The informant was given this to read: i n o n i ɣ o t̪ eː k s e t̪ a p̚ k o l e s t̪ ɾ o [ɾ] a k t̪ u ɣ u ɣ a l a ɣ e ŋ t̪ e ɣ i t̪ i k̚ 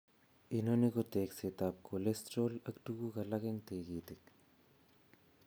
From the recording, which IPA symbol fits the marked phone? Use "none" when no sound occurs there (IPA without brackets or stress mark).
l